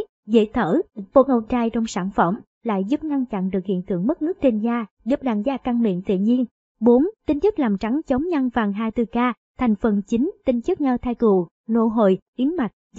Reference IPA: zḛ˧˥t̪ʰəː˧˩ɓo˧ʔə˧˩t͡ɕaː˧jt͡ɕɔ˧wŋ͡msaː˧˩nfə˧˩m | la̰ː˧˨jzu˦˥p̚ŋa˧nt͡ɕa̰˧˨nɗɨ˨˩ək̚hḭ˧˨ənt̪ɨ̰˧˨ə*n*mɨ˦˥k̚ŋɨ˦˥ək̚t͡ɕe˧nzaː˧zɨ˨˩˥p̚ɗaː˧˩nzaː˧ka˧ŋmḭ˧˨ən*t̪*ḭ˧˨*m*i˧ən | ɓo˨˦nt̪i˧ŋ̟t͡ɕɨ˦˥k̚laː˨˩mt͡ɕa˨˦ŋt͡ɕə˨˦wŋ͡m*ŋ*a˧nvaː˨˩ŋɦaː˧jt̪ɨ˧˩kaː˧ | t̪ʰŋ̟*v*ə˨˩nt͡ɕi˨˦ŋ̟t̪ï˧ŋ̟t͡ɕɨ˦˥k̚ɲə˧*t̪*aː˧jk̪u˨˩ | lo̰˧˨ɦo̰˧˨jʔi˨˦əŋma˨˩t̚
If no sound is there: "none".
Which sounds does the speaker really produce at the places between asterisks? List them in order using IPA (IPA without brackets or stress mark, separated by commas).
ŋ, t̪, ɲ, ɲ, f, t̪ʰ